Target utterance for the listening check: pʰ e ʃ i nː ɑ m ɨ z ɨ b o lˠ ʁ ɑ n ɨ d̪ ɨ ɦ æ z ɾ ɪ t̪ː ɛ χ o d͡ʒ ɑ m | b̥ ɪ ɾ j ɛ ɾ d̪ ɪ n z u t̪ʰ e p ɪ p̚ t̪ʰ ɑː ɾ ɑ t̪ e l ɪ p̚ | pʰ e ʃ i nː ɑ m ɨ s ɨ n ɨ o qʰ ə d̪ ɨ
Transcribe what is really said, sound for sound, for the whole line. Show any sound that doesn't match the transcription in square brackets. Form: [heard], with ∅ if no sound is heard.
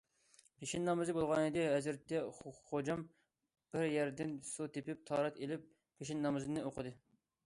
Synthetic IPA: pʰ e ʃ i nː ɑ m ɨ z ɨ b o lˠ ʁ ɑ n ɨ d̪ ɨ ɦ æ z ɾ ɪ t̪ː ɛ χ o d͡ʒ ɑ m | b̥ ɪ ɾ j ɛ ɾ d̪ ɪ n [s] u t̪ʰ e p ɪ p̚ t̪ʰ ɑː ɾ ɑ t̪ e l ɪ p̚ | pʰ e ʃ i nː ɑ m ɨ [z] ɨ n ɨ o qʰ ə d̪ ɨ